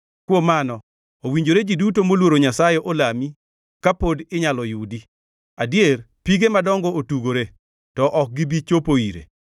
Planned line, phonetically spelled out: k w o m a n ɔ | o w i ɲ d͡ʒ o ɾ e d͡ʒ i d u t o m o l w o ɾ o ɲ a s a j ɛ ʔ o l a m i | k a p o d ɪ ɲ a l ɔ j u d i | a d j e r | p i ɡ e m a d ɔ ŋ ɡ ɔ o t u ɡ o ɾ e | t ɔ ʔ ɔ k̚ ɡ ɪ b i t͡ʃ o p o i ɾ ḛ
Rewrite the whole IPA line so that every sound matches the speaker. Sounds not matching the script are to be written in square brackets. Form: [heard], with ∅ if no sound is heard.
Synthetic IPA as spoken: k w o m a n ɔ | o w i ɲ d͡ʒ o ɾ e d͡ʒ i d u t o m o l w o ɾ o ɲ a s a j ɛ ʔ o l a m i | k a p o d ɪ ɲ a l ɔ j u d i | a d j e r | p i ɡ e m a d ɔ ŋ ɡ ɔ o t u ɡ o ɾ e | t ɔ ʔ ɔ k̚ ɡ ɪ b i t͡ʃ o p o i ɾ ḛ